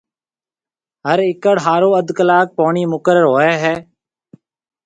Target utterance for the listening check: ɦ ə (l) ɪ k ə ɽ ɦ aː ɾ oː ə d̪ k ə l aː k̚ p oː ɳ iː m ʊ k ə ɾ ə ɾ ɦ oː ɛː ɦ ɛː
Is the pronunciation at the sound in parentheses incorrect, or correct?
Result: incorrect